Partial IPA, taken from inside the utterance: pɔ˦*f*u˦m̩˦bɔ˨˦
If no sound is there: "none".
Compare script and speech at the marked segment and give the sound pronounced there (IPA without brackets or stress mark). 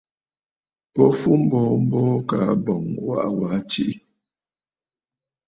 f